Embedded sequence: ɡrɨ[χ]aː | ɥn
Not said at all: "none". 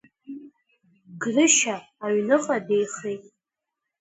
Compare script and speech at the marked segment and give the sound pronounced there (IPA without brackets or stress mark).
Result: ʃ